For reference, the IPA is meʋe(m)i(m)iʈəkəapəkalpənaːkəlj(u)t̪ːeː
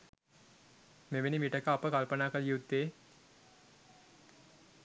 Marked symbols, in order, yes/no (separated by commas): no, yes, yes